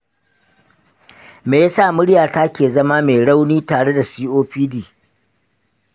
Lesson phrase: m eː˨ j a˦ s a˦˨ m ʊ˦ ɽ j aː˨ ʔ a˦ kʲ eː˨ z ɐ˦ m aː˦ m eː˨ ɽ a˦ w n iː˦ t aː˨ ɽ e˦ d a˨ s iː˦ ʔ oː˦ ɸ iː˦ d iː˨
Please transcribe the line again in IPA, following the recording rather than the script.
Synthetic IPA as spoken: m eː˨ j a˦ s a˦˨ m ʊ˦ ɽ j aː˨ t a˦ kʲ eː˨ z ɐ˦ m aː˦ m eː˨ ɽ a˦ w n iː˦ t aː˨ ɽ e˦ d a˨ s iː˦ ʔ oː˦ ɸ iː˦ d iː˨

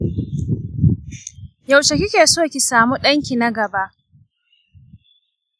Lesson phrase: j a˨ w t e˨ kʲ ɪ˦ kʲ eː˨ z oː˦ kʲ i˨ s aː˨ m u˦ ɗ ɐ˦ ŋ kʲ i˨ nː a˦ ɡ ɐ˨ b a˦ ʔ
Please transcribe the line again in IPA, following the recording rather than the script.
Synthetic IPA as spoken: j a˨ w t͡ʃ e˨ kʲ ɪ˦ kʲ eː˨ s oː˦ kʲ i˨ s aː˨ m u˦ ɗ ɐ˦ ŋ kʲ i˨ n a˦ ɡ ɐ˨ b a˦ ʔ

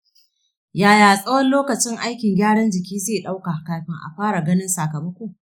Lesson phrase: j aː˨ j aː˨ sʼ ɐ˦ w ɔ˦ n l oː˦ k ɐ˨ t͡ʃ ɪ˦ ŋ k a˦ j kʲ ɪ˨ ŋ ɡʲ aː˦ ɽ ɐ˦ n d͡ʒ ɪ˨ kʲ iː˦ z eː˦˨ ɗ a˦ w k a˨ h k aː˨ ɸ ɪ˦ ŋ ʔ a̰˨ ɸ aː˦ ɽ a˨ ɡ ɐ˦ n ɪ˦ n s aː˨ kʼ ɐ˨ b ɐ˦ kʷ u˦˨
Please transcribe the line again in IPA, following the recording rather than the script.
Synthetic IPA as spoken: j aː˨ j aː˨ sʼ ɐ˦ w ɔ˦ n l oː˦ k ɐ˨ t͡ʃ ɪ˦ ŋ ʔ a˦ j kʲ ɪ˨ ŋ ɡʲ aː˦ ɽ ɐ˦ n d͡ʒ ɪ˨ kʲ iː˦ z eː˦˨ ɗ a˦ w k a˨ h k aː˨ ɸ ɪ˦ ŋ ʔ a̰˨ ɸ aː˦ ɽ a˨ ɡ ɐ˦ n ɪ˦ n s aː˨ k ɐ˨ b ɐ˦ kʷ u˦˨

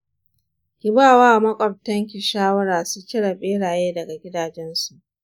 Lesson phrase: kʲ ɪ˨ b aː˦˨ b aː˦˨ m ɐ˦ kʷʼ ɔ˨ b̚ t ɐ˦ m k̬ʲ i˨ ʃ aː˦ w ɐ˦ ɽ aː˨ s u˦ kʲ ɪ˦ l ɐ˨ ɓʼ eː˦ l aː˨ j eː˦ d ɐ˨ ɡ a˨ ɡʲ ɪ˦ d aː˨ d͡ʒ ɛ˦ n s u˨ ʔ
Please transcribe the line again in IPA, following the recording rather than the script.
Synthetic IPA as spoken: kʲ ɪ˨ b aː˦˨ w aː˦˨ m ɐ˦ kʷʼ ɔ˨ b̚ t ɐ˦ ŋ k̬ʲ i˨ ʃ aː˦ w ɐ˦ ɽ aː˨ s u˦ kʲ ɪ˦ ɽ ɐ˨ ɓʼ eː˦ ɽ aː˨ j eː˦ d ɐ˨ ɡ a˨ ɡʲ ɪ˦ d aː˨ d͡ʒ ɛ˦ n s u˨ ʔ

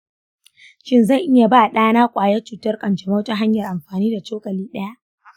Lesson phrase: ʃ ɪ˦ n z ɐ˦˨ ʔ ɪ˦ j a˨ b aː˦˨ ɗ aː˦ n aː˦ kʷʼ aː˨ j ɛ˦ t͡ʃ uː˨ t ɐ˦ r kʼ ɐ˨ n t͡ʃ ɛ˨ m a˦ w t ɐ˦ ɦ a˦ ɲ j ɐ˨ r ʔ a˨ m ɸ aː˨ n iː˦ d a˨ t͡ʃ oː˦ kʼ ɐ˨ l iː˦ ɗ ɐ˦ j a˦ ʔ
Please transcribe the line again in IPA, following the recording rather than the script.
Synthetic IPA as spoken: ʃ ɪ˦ n z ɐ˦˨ ʔ ɪ˦ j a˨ b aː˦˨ ɗ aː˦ n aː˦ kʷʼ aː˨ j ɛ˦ t͡ʃ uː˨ t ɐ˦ r kʼ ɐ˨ n t͡ʃ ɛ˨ m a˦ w t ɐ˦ ɦ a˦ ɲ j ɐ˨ r ʔ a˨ m ɸ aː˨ n iː˦ d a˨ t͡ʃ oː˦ kʼ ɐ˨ l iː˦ ɗ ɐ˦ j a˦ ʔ

